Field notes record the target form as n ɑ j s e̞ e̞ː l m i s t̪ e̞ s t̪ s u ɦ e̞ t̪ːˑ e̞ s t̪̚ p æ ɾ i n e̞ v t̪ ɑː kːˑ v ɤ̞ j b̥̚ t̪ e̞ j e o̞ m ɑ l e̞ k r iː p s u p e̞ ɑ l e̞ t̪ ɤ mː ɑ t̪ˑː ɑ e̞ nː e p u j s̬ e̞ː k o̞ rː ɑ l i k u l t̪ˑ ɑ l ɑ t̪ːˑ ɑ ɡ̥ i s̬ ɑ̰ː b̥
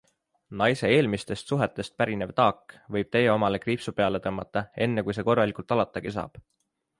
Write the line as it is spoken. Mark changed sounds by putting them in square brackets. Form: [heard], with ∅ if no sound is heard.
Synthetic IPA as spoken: n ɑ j s e̞ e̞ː l m i s t̪ e̞ s t̪ s u ɦ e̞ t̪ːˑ e̞ s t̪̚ p æ ɾ i n e̞ v t̪ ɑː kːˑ v ɤ̞ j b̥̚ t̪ e̞ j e o̞ m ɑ l e̞ k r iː p s u p e̞ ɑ l e̞ t̪ ɤ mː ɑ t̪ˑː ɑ e̞ nː e [k] u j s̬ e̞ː k o̞ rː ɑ l i k u l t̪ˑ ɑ l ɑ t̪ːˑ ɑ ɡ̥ i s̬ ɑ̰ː b̥